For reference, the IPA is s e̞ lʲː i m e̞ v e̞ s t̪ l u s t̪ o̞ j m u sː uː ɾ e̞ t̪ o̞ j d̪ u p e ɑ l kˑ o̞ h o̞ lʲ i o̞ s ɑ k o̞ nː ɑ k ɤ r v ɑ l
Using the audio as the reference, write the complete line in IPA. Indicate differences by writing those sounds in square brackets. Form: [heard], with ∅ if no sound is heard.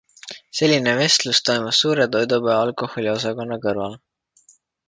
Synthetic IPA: s e̞ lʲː i [n] e̞ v e̞ s t̪ l u s t̪ o̞ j m u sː uː ɾ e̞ t̪ o̞ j d̪ u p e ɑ l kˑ o̞ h o̞ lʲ i o̞ s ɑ k o̞ nː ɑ k ɤ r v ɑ l